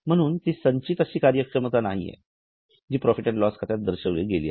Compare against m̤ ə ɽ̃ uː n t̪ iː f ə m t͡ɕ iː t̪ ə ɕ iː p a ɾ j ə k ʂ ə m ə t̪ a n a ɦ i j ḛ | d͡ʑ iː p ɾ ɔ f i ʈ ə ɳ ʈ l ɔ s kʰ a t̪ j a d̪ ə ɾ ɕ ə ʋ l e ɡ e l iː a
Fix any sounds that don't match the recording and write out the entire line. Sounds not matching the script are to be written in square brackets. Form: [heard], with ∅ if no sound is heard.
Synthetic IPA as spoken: m̤ ə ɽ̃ uː n t̪ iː [s] ə [ɲ] t͡ɕ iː t̪ ə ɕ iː [k] a ɾ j ə k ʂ ə m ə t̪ a n a ɦ i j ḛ | d͡ʑ iː p ɾ ɔ f i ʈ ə ɳ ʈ l ɔ s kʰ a t̪ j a d̪ ə ɾ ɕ ə ʋ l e ɡ e l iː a